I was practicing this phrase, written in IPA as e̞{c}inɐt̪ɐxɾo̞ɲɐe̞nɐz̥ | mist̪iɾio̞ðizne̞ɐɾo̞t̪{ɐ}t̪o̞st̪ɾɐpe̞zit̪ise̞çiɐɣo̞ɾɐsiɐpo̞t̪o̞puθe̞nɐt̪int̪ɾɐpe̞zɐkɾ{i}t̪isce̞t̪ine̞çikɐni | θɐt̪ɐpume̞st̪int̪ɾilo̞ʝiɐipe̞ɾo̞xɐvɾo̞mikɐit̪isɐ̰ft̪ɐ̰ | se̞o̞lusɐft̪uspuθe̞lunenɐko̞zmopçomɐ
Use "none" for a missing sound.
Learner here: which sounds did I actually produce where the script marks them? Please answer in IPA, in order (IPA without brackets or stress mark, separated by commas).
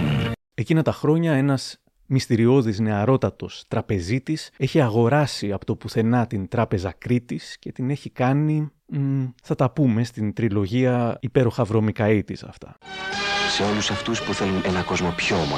c, ɐ, i